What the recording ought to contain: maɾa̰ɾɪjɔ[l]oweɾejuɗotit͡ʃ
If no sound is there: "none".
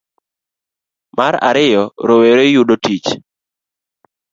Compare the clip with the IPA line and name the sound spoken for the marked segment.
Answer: ɾ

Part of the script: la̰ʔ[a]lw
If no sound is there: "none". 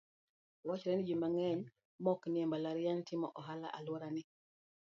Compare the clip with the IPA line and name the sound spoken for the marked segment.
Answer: a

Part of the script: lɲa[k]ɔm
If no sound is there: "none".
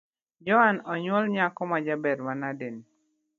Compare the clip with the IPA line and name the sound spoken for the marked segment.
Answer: k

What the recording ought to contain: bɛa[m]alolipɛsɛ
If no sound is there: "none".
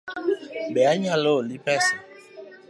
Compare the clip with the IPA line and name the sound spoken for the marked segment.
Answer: ɲ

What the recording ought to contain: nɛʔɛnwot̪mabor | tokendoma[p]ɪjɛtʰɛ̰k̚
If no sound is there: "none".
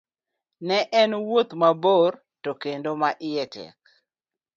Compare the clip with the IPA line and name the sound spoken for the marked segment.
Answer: ʔ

